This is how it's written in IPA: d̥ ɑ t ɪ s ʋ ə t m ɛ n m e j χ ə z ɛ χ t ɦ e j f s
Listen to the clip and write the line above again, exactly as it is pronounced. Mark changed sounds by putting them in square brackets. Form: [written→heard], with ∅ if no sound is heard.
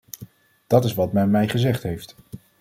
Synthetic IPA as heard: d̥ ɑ t ɪ s ʋ [ə→ɑ] t m ɛ n m [e→ɛ] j χ ə z ɛ χ t ɦ e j f [s→t]